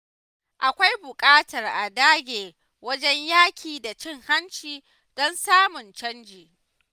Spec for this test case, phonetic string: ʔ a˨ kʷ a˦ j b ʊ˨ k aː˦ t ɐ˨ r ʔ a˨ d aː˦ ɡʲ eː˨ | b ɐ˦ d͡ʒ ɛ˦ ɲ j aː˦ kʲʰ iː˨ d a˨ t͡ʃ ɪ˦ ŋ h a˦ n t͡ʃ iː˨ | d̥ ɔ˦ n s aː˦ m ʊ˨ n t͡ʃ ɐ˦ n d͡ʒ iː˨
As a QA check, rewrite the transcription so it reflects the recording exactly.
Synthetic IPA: ʔ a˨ kʷ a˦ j b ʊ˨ kʼ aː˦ t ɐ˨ r ʔ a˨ d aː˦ ɡʲ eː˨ | w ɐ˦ d͡ʒ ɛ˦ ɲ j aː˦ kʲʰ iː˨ d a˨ t͡ʃ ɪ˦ ŋ h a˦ n t͡ʃ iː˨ | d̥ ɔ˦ n s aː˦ m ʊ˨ n t͡ʃ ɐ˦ n d͡ʒ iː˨